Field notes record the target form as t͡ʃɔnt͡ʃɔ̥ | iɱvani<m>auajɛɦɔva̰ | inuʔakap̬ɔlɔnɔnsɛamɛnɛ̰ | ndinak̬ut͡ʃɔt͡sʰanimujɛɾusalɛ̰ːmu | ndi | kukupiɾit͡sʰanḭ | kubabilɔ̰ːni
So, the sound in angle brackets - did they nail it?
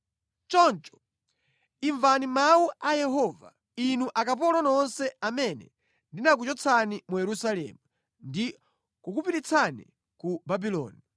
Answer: yes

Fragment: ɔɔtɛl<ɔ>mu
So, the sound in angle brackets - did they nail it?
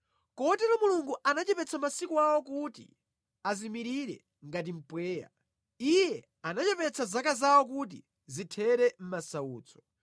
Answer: yes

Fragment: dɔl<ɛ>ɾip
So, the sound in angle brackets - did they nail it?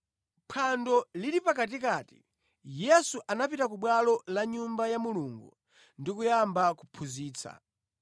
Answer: no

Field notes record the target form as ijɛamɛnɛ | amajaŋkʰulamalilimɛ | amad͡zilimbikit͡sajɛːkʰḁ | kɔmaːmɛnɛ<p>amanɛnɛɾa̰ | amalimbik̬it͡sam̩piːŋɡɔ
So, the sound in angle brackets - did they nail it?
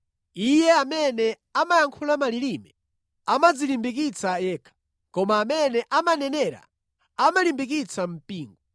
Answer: no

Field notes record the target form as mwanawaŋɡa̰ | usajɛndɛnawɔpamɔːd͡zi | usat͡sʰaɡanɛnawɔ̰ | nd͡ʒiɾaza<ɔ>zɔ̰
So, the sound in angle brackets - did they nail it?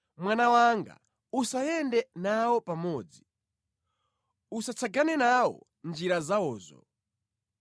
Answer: no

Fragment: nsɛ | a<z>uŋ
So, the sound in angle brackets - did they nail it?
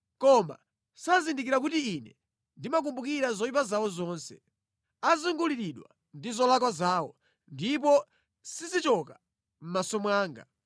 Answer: yes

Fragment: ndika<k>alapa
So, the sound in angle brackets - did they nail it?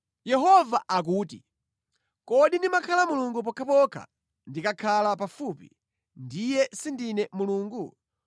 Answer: no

